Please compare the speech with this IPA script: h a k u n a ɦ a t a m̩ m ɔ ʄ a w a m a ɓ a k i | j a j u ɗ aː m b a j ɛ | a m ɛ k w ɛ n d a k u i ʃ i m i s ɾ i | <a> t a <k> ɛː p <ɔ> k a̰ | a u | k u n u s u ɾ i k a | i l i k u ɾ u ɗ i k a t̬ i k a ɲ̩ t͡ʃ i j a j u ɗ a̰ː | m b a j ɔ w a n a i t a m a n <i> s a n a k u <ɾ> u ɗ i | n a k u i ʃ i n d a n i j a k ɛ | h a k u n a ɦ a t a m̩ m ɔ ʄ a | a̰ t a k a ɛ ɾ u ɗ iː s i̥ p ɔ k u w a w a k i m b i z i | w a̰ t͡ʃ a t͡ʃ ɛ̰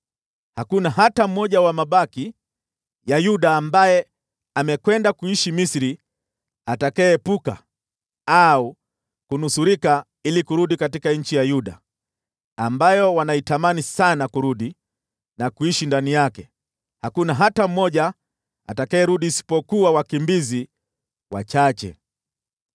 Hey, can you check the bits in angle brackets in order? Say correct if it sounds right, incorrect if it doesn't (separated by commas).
correct, correct, incorrect, correct, correct